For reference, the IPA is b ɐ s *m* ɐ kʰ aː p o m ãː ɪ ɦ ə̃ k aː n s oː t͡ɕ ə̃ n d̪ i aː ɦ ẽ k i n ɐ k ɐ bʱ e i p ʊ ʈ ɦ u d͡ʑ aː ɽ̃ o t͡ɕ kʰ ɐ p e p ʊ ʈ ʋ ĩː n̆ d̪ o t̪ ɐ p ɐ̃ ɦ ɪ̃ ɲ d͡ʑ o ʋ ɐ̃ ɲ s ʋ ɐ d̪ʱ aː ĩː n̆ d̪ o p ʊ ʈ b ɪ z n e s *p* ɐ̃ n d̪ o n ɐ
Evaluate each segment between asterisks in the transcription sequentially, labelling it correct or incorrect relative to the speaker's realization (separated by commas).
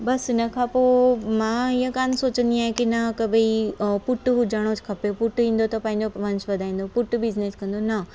incorrect, incorrect